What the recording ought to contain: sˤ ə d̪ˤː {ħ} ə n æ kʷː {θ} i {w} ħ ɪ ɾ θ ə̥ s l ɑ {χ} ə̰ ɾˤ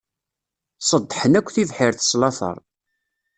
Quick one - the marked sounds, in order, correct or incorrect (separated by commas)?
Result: correct, correct, incorrect, incorrect